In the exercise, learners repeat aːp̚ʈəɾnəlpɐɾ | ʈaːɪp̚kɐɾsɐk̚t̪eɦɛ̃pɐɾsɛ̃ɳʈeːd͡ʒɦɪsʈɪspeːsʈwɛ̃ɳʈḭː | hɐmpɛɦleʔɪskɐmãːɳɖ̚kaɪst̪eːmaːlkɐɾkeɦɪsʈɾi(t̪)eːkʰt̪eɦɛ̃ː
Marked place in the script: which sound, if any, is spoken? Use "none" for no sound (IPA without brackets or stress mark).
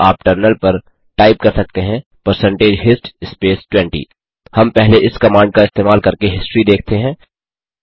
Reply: d̪